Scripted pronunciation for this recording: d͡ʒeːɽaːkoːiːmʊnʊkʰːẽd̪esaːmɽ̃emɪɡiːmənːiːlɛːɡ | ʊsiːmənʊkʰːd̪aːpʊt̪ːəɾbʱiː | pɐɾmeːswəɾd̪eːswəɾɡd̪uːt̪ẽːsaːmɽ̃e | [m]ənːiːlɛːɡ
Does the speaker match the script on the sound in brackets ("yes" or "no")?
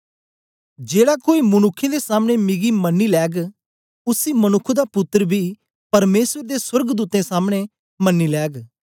yes